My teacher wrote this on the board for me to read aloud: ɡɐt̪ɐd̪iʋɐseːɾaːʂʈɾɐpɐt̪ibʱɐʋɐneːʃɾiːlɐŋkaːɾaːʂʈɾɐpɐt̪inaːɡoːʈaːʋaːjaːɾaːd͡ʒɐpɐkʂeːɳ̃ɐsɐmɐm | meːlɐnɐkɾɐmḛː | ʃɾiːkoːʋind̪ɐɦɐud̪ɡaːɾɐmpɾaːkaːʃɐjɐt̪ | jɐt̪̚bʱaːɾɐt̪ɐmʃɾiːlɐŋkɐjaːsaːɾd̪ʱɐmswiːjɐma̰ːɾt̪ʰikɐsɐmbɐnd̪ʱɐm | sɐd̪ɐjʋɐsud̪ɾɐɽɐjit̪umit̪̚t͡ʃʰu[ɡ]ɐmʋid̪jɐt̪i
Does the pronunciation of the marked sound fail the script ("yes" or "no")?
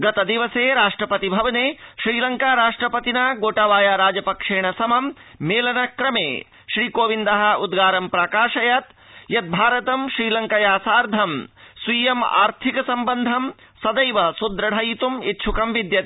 yes